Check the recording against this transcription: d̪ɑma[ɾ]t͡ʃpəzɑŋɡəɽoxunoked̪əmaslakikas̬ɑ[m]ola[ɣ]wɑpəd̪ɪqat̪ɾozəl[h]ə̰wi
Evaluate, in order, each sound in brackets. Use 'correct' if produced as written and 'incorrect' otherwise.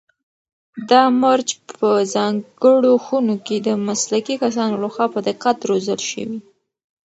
correct, incorrect: n, incorrect: x, incorrect: ʃ

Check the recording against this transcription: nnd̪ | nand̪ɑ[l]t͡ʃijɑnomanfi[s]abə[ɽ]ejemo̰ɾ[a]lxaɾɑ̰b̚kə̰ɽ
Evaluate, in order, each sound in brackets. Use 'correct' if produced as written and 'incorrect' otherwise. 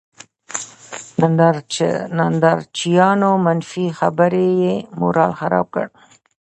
incorrect: ɾ, incorrect: x, incorrect: ɾ, incorrect: ɑ

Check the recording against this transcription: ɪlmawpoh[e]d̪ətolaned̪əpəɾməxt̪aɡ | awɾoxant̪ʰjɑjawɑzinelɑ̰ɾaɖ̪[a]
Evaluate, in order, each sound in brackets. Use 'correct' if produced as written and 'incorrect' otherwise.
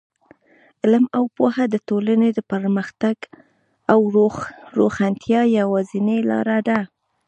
incorrect: a, correct

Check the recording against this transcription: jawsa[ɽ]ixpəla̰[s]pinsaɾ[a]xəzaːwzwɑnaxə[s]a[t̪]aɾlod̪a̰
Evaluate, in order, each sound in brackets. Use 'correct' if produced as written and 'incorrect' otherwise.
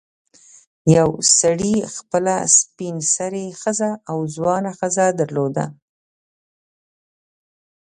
correct, correct, incorrect: e, incorrect: z, incorrect: d̪

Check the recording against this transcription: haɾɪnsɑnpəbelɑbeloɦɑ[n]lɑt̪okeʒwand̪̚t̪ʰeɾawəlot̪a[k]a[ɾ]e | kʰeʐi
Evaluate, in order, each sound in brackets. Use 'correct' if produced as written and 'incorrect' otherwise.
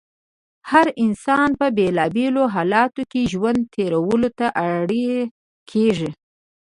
incorrect: none, incorrect: ʔ, incorrect: ɽ

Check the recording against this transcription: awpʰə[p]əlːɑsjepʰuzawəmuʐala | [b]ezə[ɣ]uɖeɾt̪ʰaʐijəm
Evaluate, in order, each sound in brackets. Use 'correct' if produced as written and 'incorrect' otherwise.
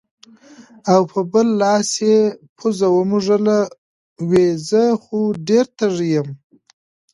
incorrect: b, incorrect: w, incorrect: x

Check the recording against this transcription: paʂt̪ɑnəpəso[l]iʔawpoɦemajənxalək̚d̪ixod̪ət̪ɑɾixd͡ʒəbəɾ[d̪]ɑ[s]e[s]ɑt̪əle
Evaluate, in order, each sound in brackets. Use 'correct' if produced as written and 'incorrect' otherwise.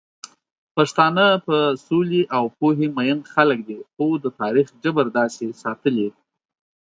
correct, correct, correct, correct

